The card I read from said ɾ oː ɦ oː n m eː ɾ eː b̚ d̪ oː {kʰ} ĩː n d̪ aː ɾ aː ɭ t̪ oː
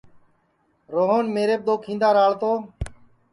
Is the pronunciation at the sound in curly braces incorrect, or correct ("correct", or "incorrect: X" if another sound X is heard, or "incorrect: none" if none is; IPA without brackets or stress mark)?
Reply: correct